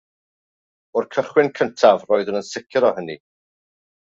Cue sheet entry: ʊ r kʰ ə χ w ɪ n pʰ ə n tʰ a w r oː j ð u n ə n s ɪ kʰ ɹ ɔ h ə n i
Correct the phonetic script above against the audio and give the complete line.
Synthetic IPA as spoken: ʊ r kʰ ə χ w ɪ n kʰ ə n tʰ a v r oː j ð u n ə n s ɪ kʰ ɾ ɔ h ə n i